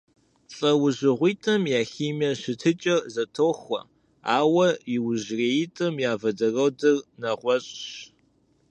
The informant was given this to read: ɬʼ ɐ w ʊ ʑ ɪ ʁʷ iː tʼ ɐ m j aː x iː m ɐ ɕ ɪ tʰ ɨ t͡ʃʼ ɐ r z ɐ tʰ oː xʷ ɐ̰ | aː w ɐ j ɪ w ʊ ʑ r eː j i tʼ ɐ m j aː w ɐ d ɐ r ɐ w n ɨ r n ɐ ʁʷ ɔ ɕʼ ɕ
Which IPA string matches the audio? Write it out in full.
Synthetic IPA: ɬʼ ɐ w ʊ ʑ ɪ ʁʷ iː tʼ ɐ m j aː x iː m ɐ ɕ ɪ tʰ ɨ t͡ʃʼ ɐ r z ɐ tʰ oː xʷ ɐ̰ | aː w ɐ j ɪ w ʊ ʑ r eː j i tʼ ɐ m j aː v ɐ d ɐ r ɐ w d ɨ r n ɐ ʁʷ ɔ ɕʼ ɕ